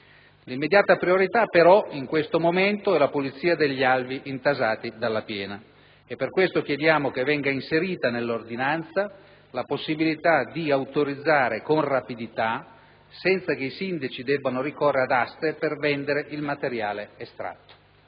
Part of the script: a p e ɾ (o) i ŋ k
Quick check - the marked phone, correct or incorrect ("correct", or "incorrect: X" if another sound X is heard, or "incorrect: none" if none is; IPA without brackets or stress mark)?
incorrect: ɔ